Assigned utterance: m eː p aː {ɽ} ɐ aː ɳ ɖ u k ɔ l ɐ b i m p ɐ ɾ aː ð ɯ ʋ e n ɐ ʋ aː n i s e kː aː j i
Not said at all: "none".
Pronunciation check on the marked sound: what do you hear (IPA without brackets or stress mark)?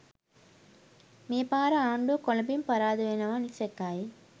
ɾ